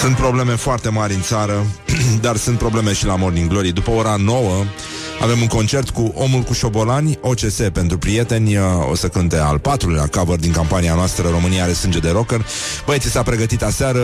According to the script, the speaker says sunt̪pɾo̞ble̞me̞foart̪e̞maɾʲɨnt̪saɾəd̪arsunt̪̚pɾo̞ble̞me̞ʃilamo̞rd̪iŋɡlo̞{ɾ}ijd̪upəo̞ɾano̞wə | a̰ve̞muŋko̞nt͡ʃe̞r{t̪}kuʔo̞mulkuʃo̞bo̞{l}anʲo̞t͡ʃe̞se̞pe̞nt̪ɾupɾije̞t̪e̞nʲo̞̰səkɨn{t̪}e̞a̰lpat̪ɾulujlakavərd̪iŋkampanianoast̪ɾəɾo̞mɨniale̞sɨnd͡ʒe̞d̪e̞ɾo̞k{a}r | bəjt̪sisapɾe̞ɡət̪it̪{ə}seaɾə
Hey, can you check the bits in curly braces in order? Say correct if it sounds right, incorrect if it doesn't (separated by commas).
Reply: correct, correct, correct, correct, incorrect, incorrect